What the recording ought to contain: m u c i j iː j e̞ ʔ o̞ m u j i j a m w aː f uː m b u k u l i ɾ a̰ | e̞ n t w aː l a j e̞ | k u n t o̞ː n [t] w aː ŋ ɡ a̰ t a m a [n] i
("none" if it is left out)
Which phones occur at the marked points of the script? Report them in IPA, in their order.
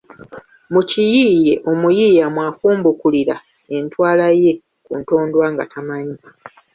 d, ɲ

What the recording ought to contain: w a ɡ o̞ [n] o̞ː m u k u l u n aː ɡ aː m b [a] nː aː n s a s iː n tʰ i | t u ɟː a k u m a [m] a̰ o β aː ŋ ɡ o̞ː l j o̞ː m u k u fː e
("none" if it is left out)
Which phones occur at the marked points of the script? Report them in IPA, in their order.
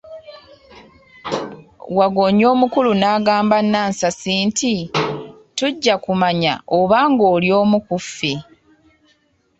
ɲ, a, ɲ

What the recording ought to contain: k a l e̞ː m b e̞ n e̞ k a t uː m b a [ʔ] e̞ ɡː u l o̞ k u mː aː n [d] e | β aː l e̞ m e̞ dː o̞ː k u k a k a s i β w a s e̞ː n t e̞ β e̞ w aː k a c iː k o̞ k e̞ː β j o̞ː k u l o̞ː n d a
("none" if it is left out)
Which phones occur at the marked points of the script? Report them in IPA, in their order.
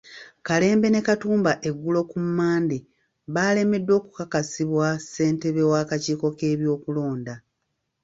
ʔ, d

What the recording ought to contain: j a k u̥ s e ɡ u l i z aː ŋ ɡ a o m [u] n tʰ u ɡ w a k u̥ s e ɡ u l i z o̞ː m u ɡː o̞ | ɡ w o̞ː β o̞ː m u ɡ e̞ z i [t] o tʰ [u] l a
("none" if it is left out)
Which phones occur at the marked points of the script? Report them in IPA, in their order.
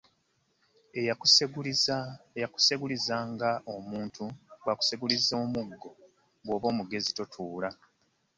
uː, t, uː

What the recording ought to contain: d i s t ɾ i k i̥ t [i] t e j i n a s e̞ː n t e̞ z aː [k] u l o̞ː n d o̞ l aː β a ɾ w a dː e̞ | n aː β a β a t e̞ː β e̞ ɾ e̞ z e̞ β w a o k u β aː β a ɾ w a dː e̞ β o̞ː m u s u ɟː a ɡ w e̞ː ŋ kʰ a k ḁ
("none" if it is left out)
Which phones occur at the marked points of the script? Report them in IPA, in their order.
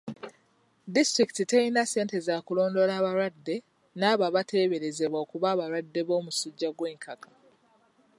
i, k

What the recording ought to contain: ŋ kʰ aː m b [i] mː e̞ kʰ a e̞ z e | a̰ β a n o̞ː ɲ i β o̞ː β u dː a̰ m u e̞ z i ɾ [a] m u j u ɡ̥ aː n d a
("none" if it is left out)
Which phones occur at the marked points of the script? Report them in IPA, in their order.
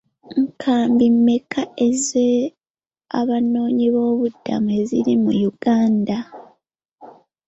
i, i

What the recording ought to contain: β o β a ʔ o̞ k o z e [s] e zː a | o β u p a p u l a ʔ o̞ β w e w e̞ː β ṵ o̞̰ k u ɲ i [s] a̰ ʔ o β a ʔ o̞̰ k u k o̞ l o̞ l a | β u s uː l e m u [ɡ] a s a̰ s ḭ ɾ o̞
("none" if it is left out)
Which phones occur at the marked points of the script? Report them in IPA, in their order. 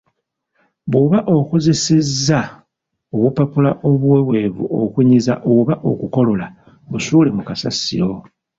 s, z, k

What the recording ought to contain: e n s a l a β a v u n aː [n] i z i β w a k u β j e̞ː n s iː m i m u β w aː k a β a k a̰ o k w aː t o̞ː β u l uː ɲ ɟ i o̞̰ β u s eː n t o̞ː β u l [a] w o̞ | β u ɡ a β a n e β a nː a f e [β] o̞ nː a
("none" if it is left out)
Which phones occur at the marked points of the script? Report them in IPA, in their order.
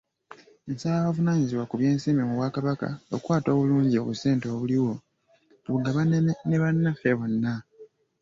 ɲ, i, β

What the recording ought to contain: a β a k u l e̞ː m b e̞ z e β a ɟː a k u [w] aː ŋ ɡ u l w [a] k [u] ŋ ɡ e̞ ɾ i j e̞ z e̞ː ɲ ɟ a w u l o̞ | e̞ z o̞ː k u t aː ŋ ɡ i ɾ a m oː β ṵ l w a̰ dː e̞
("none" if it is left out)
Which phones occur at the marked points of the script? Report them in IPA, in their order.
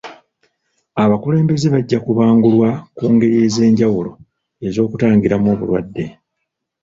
β, a, uː

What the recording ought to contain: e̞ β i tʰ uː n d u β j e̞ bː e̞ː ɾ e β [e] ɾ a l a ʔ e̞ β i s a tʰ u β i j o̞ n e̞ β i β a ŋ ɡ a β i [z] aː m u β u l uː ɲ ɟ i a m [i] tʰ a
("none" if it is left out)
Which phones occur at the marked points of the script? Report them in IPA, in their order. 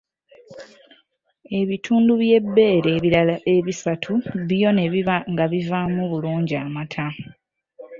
i, v, a

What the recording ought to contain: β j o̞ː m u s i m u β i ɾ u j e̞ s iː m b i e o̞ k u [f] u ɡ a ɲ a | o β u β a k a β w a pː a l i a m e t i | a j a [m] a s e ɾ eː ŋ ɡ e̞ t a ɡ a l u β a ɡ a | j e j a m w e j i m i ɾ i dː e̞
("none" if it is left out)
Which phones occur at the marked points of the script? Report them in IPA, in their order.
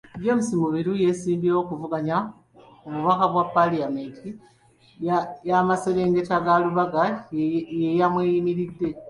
v, m

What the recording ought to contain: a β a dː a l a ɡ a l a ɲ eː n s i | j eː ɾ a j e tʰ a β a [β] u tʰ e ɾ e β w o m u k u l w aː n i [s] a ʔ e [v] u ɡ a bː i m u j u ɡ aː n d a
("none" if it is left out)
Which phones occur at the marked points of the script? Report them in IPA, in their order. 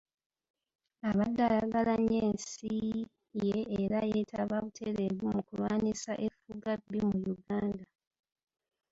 β, s, f

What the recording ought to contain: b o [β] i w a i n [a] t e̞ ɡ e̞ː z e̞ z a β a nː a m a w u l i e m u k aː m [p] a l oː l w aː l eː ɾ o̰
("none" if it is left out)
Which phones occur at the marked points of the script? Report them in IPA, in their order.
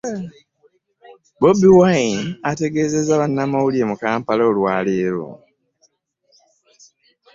b, a, p

